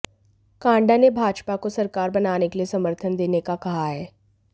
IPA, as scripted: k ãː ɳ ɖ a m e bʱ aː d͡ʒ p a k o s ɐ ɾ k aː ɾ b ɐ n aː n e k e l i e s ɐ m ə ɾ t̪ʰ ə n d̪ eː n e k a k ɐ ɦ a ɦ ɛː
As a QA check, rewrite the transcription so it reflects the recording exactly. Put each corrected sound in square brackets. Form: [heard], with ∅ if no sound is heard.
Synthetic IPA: k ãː ɳ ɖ a [n] e bʱ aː d͡ʒ p a k o s ɐ ɾ k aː ɾ b ɐ n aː n e k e l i e s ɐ m ə ɾ t̪ʰ ə n d̪ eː n e k a k ɐ ɦ a ɦ ɛː